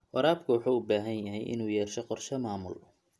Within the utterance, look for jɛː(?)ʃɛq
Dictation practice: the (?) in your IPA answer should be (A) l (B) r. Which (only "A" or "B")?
B